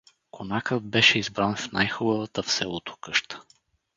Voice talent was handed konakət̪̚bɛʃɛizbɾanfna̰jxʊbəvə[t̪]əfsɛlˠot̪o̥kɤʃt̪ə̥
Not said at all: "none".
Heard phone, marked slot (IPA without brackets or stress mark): t̪